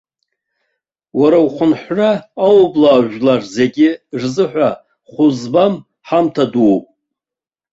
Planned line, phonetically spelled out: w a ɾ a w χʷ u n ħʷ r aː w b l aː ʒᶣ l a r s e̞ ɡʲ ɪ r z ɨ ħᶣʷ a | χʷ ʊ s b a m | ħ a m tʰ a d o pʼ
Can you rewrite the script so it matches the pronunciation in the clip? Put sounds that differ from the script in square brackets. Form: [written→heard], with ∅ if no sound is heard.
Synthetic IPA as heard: w a ɾ a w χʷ [u→ʊ] n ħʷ r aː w b l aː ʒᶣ l a r [s→z] e̞ ɡʲ ɪ r z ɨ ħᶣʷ a | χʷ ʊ [s→z] b a m | ħ a m tʰ a d [o→u] pʼ